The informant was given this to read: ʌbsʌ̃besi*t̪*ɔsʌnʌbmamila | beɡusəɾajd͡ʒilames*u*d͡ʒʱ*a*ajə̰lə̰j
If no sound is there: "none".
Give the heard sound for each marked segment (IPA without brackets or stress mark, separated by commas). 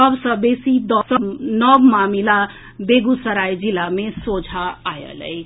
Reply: d̪, o, a